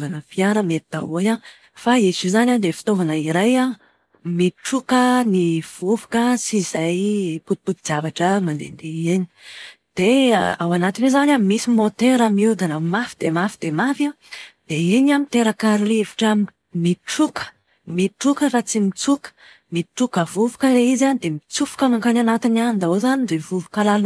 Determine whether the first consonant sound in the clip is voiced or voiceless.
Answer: voiced